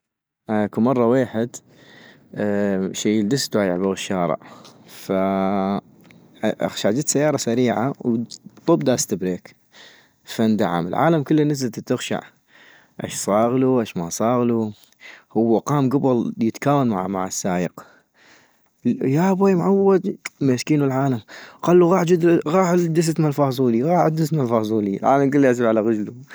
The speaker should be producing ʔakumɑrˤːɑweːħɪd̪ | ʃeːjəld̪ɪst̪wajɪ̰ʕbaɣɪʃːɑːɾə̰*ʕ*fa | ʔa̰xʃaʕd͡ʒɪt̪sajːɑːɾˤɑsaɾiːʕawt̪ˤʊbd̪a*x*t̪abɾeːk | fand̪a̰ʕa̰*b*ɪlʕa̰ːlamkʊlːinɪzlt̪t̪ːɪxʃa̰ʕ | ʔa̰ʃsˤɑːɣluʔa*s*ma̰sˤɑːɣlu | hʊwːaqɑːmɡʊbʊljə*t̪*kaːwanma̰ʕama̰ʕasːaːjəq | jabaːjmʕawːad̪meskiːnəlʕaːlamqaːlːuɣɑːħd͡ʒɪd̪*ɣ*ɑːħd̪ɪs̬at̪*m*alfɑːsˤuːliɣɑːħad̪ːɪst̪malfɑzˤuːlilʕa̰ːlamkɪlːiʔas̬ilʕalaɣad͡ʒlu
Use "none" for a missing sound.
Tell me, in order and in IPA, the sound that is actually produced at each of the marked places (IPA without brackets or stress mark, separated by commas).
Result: ʕ, s, m, ʃ, t̪, ɣ, m